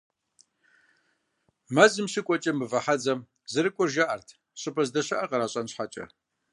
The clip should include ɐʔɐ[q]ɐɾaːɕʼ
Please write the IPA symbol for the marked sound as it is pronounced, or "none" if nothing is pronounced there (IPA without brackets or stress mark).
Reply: q